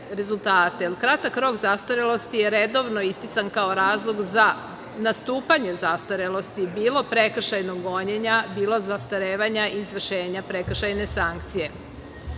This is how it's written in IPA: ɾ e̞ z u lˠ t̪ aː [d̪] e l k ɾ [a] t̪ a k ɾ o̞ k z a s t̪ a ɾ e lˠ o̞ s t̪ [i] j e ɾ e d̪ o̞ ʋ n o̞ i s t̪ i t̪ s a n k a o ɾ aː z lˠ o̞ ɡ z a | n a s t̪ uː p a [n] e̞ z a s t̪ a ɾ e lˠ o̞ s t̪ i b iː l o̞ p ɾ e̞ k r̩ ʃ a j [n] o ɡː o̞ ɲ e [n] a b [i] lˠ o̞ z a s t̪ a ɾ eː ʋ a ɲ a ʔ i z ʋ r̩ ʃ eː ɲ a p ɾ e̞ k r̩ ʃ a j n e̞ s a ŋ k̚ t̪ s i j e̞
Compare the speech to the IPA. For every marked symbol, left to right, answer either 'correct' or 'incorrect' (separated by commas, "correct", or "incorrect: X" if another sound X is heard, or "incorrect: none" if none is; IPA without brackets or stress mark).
incorrect: t̪, correct, correct, incorrect: ɲ, correct, incorrect: ɲ, incorrect: iː